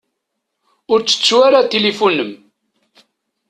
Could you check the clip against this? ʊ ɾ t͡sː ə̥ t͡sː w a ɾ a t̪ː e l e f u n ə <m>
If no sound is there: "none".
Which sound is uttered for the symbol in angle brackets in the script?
m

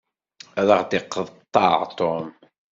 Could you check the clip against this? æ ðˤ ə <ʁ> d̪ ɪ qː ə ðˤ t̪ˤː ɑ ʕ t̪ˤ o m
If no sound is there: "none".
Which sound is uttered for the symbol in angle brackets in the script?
ʁ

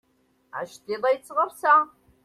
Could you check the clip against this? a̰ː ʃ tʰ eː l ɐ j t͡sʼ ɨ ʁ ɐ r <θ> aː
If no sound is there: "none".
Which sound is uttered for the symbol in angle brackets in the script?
s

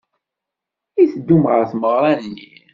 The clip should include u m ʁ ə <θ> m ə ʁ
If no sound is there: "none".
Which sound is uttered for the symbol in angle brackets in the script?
θ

